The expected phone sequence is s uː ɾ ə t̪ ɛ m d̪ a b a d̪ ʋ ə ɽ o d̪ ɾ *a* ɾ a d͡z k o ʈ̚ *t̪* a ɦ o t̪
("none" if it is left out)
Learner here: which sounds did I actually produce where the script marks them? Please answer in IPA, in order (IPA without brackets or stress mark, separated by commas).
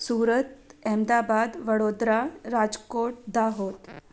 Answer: a, d̪